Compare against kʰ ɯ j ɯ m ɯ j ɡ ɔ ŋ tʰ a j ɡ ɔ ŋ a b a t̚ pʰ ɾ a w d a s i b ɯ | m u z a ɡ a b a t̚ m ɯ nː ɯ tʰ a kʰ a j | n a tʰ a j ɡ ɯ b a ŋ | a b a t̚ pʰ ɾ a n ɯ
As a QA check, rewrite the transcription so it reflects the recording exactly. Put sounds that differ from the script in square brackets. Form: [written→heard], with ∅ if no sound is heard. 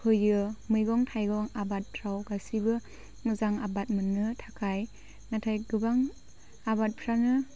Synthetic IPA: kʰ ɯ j ɯ m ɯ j ɡ ɔ ŋ tʰ a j ɡ ɔ ŋ a b a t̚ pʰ ɾ a w [d→ɡ] a s i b ɯ | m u z a [ɡ→ŋ] a b a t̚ m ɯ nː ɯ tʰ a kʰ a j | n a tʰ a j ɡ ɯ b a ŋ | a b a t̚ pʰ ɾ a n ɯ